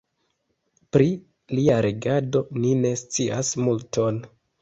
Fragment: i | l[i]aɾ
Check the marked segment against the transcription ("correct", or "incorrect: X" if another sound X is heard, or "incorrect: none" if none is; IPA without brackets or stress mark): correct